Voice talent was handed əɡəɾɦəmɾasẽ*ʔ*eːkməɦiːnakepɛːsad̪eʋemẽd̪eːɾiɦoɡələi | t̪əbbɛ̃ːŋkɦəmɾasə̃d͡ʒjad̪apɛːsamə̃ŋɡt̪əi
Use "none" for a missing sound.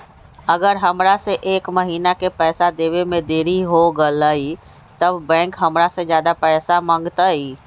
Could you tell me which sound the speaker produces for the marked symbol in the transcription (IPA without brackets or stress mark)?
ʔ